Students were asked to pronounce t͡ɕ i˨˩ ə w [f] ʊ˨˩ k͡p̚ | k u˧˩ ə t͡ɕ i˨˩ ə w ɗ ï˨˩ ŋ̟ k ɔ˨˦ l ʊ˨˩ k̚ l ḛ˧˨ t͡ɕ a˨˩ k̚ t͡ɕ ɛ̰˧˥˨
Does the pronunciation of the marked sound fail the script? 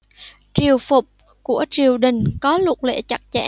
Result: no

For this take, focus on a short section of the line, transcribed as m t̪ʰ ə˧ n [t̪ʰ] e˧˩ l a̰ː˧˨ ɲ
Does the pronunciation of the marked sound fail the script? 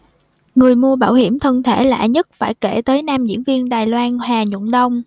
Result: no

